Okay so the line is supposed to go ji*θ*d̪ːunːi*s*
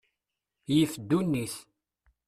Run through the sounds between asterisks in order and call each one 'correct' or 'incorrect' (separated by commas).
incorrect, incorrect